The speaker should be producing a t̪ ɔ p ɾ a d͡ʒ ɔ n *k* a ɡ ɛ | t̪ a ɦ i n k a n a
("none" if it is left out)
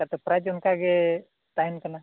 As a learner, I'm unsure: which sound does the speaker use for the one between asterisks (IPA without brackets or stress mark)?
k